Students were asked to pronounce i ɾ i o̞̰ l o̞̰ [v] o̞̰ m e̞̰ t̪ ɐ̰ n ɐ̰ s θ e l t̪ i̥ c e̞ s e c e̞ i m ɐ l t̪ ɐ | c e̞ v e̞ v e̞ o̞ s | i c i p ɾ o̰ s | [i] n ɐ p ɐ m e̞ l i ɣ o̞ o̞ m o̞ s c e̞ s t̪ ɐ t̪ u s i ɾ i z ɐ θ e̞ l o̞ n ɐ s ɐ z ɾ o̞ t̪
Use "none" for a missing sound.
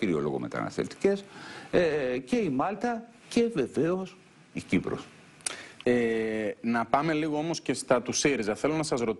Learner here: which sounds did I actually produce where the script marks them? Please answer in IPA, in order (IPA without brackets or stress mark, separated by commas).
ɣ, e